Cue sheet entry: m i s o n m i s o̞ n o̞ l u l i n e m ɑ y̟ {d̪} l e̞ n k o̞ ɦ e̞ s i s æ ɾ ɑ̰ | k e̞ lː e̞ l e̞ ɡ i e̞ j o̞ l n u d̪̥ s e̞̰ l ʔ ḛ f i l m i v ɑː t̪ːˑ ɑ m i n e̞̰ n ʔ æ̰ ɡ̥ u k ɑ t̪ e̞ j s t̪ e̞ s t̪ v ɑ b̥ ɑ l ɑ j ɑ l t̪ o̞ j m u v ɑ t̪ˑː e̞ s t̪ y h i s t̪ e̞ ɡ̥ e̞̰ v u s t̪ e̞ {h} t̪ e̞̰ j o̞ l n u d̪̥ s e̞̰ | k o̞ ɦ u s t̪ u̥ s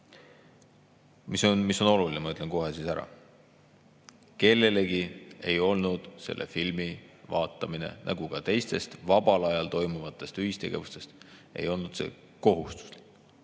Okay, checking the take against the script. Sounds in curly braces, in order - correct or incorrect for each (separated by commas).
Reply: incorrect, incorrect